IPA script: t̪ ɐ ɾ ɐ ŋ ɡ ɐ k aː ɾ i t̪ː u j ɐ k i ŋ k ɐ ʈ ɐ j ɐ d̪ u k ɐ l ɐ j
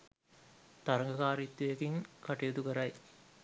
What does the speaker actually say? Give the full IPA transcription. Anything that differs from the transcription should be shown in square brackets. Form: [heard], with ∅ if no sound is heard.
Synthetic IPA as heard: t̪ ɐ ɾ ɐ ŋ ɡ ɐ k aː ɾ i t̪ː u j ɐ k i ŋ k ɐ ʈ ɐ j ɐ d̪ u k ɐ [ɾ] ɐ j